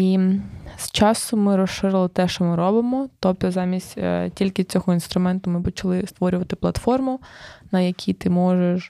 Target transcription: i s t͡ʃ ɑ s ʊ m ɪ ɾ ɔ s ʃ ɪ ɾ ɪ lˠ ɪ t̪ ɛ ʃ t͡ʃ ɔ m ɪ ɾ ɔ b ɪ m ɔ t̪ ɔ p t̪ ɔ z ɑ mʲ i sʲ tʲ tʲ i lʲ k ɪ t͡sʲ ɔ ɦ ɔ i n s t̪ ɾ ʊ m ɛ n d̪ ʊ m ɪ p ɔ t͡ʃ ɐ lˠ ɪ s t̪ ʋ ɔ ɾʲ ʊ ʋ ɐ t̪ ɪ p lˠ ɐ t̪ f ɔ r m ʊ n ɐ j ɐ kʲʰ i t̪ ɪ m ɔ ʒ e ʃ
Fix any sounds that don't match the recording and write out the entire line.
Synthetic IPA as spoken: i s t͡ʃ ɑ s ʊ m ɪ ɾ ɔ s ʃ ɪ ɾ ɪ lˠ ɪ t̪ ɛ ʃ t͡ʃ ɔ m ɪ ɾ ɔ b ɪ m ɔ t̪ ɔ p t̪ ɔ z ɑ mʲ i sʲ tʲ tʲ i lʲ k ɪ t͡sʲ ɔ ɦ ɔ i n s t̪ ɾ ʊ m ɛ n t̪ ʊ m ɪ p ɔ t͡ʃ ɐ lˠ ɪ s t̪ ʋ ɔ ɾʲ ʊ ʋ ɐ t̪ ɪ p lˠ ɐ t̪ f ɔ r m ʊ n ɐ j ɐ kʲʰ i t̪ ɪ m ɔ ʒ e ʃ